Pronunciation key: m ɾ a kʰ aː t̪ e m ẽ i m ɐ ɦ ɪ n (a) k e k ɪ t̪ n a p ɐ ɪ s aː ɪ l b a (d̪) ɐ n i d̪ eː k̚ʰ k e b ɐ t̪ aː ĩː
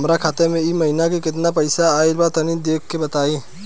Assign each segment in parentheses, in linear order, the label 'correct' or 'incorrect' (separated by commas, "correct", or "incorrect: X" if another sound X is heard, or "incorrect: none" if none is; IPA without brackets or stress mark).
correct, incorrect: t̪